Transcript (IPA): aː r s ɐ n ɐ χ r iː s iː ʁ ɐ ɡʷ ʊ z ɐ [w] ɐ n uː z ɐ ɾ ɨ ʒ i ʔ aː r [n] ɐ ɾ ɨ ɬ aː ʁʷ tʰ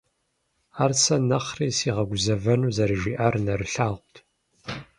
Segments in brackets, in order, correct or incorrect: incorrect: v, correct

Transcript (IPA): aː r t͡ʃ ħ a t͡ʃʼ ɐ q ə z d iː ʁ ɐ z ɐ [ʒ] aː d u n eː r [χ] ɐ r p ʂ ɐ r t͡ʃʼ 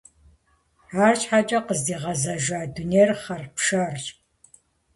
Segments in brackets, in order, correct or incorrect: correct, correct

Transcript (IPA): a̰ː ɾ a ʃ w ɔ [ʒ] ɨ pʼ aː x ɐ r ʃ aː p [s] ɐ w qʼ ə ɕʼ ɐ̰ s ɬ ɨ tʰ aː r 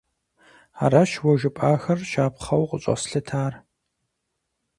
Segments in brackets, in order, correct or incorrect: correct, incorrect: χ

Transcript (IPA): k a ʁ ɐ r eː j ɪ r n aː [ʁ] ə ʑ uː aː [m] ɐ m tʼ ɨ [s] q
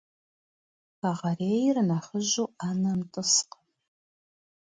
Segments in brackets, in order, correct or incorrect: incorrect: χ, incorrect: n, correct

